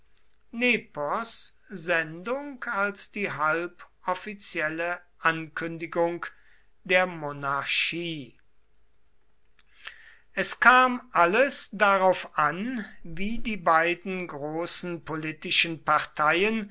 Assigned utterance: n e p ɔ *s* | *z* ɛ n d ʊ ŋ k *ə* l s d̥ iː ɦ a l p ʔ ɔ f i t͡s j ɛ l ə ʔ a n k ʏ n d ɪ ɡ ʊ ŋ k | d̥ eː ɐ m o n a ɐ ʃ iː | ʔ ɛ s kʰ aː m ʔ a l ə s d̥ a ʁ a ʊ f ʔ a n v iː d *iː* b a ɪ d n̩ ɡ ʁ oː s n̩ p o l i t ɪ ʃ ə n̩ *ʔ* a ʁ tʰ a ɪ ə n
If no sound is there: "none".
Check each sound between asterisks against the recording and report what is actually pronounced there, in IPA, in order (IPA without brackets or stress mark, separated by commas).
s, z, a, iː, p